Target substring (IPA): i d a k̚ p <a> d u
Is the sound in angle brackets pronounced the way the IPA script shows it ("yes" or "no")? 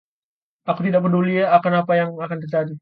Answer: no